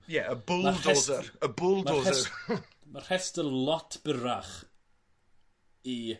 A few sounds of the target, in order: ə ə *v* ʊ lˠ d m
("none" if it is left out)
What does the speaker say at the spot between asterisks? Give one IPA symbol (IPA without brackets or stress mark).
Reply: b